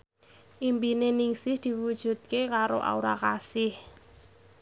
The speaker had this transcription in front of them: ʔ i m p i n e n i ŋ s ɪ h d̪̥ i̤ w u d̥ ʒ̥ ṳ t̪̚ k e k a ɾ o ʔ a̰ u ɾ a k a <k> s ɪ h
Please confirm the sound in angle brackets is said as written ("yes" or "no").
no